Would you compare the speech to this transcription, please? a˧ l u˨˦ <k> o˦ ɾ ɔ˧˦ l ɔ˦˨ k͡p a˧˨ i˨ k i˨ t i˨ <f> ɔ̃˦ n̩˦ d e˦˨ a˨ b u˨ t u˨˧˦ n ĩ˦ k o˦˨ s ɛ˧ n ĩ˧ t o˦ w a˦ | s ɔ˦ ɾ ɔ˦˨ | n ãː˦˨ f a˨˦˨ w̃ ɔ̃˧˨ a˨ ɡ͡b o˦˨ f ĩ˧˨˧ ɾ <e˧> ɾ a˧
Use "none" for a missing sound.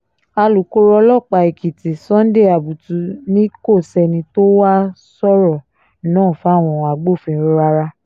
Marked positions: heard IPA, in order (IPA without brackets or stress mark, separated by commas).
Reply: k, s, a˧